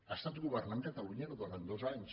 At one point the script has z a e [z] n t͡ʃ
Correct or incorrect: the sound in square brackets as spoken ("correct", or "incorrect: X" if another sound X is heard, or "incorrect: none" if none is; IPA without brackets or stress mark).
incorrect: none